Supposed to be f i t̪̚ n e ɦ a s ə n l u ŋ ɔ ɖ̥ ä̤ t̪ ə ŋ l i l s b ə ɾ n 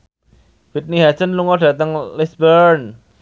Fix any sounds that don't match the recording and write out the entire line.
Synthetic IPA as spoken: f i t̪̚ n i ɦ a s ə n l u ŋ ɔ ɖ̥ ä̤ t̪ ə ŋ l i s b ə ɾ n